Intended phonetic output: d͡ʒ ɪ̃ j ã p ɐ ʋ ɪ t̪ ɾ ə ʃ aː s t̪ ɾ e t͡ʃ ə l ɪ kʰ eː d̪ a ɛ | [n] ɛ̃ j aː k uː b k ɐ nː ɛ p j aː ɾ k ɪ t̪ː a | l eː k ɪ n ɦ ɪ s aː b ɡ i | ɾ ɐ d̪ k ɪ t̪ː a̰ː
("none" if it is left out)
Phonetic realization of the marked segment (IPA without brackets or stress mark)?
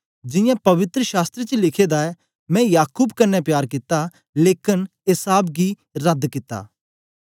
m